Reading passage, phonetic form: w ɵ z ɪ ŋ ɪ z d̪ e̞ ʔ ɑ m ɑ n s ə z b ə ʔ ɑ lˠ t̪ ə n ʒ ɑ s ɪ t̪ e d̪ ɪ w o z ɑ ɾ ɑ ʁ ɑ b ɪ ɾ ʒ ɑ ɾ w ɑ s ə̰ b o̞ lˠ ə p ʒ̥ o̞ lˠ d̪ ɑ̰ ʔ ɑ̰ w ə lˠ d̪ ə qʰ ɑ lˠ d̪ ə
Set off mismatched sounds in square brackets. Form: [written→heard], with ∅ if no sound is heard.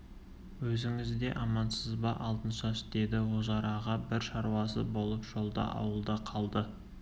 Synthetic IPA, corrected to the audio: w ɵ z ɪ ŋ ɪ z d̪ e̞ ʔ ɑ m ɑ n s ə z b [ə→ɑ] ʔ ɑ lˠ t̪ ə n [ʒ→ʃ] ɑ s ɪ t̪ e d̪ ɪ w o z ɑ ɾ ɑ ʁ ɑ b ɪ ɾ [ʒ→ʃ] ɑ ɾ w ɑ s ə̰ b o̞ lˠ ə p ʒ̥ o̞ lˠ d̪ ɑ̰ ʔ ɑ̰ w ə lˠ d̪ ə qʰ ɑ lˠ d̪ ə